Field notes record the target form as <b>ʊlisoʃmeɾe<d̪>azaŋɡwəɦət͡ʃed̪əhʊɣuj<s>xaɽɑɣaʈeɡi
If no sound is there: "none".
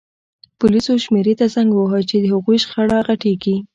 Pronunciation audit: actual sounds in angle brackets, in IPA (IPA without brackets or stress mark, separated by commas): p, t̪, ʃ